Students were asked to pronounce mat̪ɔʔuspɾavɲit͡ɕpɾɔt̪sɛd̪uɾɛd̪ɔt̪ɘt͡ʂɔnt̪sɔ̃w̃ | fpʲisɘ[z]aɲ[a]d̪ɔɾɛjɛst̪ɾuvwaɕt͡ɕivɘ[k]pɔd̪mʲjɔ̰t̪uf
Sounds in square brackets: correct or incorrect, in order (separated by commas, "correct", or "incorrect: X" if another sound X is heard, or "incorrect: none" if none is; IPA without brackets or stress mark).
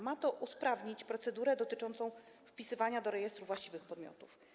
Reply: incorrect: v, correct, incorrect: x